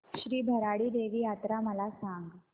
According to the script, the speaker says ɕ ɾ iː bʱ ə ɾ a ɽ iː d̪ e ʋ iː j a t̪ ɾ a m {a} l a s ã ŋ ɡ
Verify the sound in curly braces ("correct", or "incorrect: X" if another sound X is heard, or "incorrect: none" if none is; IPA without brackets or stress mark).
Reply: incorrect: ə